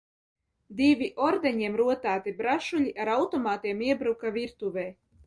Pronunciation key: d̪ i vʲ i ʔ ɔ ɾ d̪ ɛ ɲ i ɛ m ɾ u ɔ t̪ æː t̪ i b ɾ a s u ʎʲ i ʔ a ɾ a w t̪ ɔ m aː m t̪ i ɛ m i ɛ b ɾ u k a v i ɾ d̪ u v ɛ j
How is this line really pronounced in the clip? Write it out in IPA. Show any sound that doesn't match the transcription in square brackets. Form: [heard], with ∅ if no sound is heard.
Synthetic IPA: d̪ i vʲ i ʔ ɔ ɾ d̪ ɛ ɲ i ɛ m ɾ u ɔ t̪ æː t̪ i b ɾ a [ʃ] u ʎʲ i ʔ a ɾ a w t̪ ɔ m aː [∅] t̪ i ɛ m i ɛ b ɾ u k a v i ɾ [t̪] u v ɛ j